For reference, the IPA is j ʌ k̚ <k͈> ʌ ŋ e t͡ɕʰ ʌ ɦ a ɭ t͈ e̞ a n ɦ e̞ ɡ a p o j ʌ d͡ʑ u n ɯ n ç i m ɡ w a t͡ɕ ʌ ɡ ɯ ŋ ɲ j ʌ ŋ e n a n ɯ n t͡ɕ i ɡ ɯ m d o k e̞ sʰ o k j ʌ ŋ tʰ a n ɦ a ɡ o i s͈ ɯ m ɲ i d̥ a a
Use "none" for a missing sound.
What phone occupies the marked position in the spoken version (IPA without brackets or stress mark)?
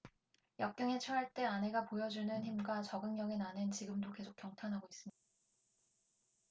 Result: k͈